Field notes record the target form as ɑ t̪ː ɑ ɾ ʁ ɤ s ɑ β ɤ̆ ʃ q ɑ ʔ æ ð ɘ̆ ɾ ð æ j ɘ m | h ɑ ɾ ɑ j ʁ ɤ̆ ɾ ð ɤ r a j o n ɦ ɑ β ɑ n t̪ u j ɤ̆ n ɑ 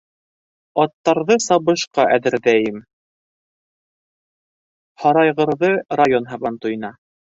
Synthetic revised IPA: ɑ t̪ː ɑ ɾ ð ɤ s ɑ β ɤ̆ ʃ q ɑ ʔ æ ð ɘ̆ ɾ ð æ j ɘ m | h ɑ ɾ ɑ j ʁ ɤ̆ ɾ ð ɤ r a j o n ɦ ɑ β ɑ n t̪ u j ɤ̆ n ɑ